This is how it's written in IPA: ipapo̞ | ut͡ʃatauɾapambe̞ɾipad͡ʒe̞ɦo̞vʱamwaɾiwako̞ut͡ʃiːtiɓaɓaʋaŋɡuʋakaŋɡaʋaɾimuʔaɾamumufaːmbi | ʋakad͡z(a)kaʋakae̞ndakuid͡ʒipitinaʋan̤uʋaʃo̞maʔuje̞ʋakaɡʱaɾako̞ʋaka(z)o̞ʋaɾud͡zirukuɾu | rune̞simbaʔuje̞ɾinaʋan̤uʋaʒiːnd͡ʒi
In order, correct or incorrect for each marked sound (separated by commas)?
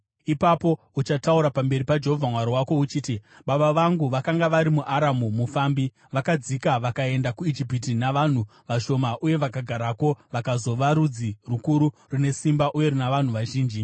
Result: incorrect, correct